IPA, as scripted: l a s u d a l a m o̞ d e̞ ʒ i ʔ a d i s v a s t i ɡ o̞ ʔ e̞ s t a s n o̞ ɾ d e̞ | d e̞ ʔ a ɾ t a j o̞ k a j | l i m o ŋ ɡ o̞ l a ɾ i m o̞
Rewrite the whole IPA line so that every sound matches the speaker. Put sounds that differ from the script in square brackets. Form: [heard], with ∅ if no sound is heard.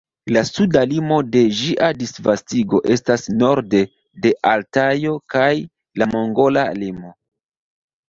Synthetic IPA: l a s u d a l [i] m o̞ d e̞ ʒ i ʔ a d i s v a s t i ɡ o̞ ʔ e̞ s t a s n o̞ ɾ d e̞ | d e̞ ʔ a [l] t a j o̞ k a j | l [a] m o ŋ ɡ o̞ l a [l] i m o̞

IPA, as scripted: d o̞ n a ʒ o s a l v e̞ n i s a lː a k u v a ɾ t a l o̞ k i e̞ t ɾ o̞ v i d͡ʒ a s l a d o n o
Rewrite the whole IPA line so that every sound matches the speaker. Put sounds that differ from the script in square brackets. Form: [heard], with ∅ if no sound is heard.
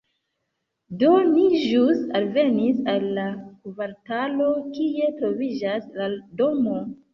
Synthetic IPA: d o̞ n [i] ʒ [u] s a l v e̞ n i s a lː a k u v a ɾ t a l o̞ k i e̞ t ɾ o̞ v i d͡ʒ a s l a d o [m] o

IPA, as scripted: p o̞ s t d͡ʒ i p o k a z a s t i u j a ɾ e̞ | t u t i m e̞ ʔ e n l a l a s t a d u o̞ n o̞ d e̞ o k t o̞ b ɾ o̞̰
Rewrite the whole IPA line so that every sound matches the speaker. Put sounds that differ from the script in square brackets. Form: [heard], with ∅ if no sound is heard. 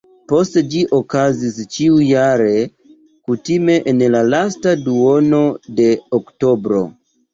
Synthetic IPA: p o̞ s t d͡ʒ i [ʔ] o k a z [i] s [t͡ʃ] i u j a ɾ e̞ | [k] u t i m e̞ ʔ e n l a l a s t a d u o̞ n o̞ d e̞ o k t o̞ b ɾ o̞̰

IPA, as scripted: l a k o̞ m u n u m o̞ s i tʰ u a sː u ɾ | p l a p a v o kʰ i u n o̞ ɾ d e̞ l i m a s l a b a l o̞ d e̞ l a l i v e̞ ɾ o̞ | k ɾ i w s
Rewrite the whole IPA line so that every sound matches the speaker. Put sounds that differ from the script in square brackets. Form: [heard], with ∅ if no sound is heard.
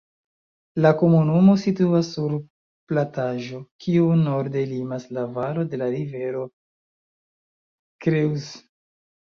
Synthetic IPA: l a k o̞ m u n u m o̞ s i [t] u a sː u ɾ | p l a [t] a [ʒ] o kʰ i u n o̞ ɾ d e̞ l i m a s l a [v] a l o̞ d e̞ l a [ɾ] i v e̞ ɾ o̞ | k ɾ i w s

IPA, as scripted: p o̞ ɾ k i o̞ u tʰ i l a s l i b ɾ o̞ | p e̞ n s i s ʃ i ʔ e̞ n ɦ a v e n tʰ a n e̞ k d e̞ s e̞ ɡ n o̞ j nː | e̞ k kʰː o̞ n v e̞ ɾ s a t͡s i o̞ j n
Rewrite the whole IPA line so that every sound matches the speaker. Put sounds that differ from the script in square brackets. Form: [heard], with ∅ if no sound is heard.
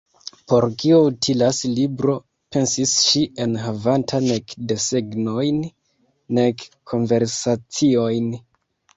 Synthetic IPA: p o̞ ɾ k i o̞ u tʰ i l a s l i b ɾ o̞ | p e̞ n s i s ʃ i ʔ e̞ n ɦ a v [a] n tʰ a n e̞ k d e̞ s e̞ ɡ n o̞ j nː | e̞ k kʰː o̞ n v e̞ ɾ s a t͡s i o̞ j n

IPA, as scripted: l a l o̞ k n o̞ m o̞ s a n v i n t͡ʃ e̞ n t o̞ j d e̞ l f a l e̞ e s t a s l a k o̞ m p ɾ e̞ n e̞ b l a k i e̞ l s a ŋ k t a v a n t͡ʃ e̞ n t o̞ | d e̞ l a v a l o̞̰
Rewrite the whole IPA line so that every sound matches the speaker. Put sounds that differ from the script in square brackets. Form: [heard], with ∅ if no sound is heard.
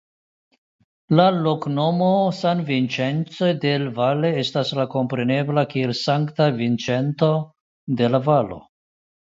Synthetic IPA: l a l o̞ k n o̞ m o̞ s a n v i n t͡ʃ e̞ n [t͡s] o̞ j d e̞ l [v] a l e̞ e s t a s l a k o̞ m p ɾ e̞ n e̞ b l a k i e̞ l s a ŋ k t a v [i] n t͡ʃ e̞ n t o̞ | d e̞ l a v a l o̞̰

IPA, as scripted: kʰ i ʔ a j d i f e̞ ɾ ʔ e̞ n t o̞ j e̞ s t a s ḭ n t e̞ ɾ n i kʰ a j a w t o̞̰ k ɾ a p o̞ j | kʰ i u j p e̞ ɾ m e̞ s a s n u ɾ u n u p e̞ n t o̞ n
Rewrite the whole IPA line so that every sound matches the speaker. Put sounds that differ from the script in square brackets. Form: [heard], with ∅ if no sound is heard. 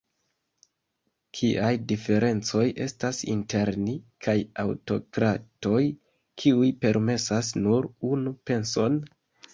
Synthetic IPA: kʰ i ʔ a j d i f e̞ ɾ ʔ e̞ n [t͡s] o̞ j e̞ s t a s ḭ n t e̞ ɾ n i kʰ a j a w t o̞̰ k ɾ a [t] o̞ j | kʰ i u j p e̞ ɾ m e̞ s a s n u ɾ u n u p e̞ n [s] o̞ n

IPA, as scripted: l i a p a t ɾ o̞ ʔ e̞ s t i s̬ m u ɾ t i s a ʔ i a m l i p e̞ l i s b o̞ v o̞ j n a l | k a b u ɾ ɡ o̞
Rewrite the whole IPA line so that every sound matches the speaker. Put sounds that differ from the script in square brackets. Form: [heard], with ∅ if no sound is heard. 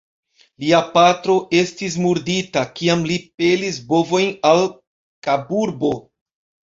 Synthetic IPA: l i a p a t ɾ o̞ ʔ e̞ s t i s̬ m u ɾ [d] i [t] a [k] i a m l i p e̞ l i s b o̞ v o̞ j n a l | k a b u ɾ [b] o̞

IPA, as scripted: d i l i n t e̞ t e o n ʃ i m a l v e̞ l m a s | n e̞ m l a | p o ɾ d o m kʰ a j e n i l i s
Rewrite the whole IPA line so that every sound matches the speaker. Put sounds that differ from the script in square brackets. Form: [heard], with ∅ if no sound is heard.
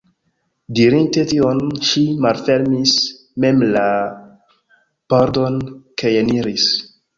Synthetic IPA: d i [ɾ] i n t e̞ t [i] o n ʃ i m a l [f] e̞ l m [i] s | [m] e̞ m l a | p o ɾ d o [n] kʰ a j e n i [ɾ] i s

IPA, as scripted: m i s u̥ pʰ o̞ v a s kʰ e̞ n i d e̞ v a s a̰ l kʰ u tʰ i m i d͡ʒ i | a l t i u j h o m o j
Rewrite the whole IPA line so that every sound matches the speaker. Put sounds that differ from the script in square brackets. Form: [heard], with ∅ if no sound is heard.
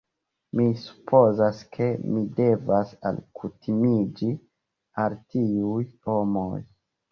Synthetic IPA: m i s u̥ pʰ o̞ [z] a s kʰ e̞ [m] i d e̞ v a s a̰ l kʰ u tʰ i m i d͡ʒ i | a l t i u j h o m o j

